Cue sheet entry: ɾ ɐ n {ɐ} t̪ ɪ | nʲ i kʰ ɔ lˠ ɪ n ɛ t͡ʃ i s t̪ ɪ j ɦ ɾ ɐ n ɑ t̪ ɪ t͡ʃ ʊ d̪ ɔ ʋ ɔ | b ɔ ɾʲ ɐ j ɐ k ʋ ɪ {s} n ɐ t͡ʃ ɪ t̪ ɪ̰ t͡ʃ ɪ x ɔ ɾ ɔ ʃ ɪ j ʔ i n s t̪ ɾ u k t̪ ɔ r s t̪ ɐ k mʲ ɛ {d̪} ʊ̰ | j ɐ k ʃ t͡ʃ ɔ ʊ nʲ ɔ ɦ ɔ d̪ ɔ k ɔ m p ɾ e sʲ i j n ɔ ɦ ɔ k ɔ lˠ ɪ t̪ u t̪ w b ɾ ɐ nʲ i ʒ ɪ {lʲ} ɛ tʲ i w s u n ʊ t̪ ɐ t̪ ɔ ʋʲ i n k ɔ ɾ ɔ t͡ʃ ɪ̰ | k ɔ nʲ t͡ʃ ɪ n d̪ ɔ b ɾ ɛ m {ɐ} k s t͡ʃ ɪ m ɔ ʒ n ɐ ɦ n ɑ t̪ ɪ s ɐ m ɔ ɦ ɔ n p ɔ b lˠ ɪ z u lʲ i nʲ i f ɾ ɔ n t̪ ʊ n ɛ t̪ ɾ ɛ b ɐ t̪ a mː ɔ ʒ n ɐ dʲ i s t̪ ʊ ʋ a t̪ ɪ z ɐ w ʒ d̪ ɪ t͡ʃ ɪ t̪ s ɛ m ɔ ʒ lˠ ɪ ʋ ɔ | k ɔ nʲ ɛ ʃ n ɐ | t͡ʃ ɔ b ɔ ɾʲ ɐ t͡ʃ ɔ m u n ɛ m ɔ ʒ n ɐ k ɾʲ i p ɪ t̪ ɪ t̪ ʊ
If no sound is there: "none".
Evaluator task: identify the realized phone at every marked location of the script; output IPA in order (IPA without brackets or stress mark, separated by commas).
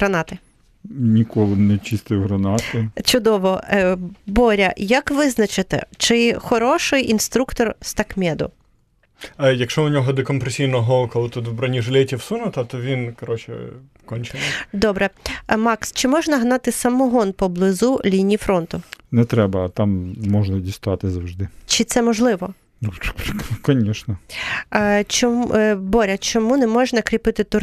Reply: ɑ, z, d̪, lʲ, ɑ